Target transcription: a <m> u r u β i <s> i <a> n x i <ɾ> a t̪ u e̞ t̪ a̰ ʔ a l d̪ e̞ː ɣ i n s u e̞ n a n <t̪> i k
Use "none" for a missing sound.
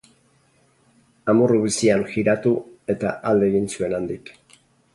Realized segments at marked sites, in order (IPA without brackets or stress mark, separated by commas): m, s, a, ɾ, d̪